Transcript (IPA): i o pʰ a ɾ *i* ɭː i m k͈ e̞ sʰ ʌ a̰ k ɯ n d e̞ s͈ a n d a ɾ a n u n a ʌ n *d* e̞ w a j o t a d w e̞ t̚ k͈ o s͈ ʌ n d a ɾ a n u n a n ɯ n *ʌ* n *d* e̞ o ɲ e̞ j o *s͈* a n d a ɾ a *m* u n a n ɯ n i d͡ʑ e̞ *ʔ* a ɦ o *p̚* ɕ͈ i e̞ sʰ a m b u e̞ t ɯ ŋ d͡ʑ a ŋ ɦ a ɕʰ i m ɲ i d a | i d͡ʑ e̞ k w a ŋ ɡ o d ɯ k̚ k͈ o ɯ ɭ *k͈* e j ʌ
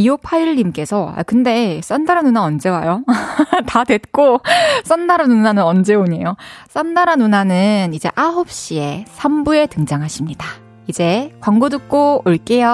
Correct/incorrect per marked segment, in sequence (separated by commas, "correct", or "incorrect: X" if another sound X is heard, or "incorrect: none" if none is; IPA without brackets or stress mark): correct, incorrect: d͡ʑ, correct, incorrect: d͡ʑ, correct, incorrect: n, correct, correct, correct